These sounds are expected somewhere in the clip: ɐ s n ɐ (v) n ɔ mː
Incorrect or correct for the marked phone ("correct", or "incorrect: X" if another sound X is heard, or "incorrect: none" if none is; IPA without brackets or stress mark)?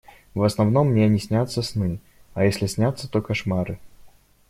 correct